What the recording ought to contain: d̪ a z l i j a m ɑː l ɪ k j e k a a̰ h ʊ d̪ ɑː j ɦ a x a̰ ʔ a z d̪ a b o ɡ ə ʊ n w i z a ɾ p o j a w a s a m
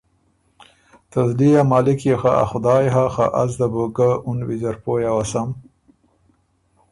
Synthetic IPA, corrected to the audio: t̪ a z l i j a m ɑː l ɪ k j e x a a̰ x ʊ d̪ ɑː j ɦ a x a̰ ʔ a z d̪ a b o ɡ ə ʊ n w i z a ɾ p o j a w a s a m